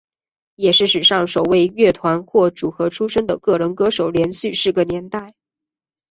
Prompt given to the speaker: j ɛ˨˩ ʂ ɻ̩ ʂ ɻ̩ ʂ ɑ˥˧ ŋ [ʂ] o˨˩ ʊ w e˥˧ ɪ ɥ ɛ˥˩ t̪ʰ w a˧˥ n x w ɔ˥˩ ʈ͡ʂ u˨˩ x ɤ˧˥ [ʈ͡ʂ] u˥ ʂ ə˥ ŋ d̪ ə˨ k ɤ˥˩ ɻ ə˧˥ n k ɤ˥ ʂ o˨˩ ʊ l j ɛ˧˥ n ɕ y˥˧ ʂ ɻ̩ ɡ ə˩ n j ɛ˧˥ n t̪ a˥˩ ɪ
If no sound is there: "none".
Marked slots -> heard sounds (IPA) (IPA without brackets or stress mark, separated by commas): ʂ, ʈ͡ʂʰ